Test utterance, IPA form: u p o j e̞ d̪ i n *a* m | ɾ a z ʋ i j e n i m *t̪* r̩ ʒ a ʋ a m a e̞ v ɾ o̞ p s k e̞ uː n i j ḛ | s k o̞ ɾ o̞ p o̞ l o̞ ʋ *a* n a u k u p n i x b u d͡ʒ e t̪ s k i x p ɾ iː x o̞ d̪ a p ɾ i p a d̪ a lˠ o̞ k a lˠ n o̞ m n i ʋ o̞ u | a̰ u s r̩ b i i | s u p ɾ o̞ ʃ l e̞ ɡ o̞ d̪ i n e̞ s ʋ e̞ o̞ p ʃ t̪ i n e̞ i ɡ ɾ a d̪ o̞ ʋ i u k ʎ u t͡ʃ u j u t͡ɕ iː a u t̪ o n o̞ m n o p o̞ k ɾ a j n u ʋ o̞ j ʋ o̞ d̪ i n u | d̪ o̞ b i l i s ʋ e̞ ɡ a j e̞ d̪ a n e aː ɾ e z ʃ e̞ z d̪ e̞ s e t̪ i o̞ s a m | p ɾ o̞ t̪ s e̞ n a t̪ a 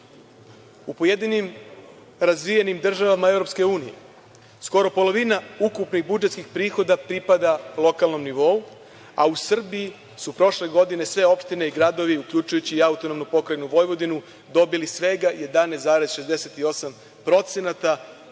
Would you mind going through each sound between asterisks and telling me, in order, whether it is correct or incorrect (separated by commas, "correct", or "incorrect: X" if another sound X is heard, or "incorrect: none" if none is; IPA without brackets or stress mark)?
incorrect: i, incorrect: d̪, incorrect: i